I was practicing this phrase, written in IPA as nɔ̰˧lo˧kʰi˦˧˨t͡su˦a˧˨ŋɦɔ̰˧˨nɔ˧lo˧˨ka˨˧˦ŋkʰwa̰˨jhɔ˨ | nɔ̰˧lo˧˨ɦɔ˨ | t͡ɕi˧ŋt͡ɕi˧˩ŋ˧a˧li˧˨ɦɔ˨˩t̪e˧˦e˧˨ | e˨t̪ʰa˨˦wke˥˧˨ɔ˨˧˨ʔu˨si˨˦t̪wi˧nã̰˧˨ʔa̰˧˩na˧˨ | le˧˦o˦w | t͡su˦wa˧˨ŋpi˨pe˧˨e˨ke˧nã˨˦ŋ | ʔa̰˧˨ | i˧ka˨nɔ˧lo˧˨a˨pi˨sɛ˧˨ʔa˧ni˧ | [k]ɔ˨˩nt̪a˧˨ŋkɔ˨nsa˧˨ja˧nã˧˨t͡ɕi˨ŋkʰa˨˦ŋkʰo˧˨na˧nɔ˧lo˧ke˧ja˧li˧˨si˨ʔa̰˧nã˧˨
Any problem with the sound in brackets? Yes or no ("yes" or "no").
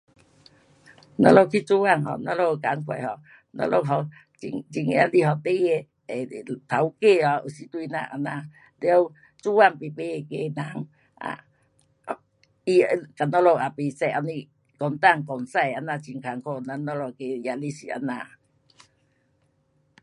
no